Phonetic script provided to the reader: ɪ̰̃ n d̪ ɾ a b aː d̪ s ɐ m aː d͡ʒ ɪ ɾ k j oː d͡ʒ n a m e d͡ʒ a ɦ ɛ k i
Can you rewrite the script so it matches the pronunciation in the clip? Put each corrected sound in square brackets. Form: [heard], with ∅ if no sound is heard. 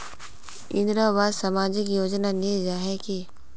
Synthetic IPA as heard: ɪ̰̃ n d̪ ɾ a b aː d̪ s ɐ m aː d͡ʒ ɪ [∅] k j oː d͡ʒ n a [n] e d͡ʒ a ɦ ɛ k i